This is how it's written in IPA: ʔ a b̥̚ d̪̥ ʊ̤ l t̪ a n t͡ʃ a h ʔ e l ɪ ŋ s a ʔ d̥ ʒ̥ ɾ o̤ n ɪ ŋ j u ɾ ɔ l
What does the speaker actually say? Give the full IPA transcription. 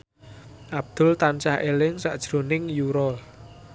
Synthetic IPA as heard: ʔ a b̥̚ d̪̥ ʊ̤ l t̪ a n t͡ʃ a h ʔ e l ɪ ŋ s a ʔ d̥ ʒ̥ ɾ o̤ n ɪ ŋ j u ɾ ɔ l